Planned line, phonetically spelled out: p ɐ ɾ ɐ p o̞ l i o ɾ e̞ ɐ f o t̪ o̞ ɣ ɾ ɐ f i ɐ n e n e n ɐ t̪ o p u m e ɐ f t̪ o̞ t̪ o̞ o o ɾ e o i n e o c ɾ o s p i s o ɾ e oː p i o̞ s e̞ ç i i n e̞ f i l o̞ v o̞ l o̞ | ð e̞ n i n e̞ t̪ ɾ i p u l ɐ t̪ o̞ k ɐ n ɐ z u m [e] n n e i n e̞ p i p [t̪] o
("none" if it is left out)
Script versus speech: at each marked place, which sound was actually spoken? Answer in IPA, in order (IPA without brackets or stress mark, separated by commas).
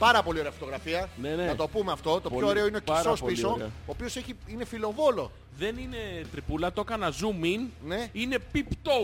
i, t̪